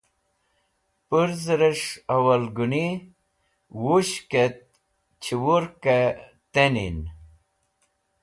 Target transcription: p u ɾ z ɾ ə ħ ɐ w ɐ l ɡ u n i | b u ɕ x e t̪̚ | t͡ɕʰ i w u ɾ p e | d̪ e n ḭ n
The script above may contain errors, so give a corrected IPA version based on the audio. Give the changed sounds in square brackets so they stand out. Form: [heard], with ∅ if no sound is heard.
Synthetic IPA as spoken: p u ɾ z ɾ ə [ʂ] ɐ w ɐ l ɡ u n i | [w] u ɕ [k] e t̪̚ | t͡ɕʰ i w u ɾ [k] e | [t̪] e n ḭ n